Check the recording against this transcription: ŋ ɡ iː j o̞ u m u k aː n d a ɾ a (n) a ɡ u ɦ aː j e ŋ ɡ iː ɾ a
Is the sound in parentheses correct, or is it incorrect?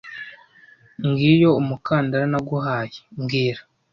correct